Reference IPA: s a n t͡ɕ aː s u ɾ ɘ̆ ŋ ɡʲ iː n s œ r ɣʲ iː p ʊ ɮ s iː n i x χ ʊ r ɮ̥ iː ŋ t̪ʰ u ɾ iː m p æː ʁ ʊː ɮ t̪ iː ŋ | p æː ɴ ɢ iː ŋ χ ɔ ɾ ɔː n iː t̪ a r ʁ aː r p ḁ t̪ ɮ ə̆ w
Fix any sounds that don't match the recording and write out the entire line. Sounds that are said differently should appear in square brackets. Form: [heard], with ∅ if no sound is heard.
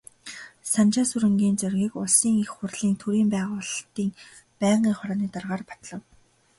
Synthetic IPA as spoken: s a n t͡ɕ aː s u ɾ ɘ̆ ŋ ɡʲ iː n [t͡s] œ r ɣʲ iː [k] ʊ ɮ s iː [ŋ] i x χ ʊ r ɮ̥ iː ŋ t̪ʰ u ɾ iː m p æː ʁ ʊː ɮ t̪ iː ŋ | p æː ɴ ɢ iː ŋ χ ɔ ɾ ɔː n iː t̪ a r ʁ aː r p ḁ t̪ ɮ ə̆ w